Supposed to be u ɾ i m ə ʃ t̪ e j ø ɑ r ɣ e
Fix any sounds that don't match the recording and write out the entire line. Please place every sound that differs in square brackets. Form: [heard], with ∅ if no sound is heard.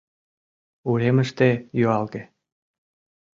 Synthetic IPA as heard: u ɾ [e] m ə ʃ t̪ e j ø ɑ [l] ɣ e